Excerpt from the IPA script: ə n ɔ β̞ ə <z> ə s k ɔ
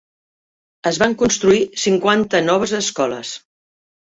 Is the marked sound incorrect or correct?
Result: correct